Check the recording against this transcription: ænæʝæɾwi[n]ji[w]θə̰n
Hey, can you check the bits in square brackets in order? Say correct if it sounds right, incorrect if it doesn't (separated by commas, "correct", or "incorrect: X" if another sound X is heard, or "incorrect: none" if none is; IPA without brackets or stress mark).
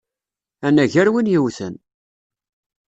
correct, correct